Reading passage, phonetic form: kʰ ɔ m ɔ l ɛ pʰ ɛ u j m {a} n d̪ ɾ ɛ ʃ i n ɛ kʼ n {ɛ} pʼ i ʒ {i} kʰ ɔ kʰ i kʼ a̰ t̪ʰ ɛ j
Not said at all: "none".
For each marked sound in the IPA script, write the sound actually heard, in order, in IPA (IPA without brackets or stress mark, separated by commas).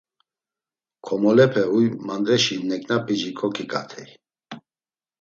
a, a, i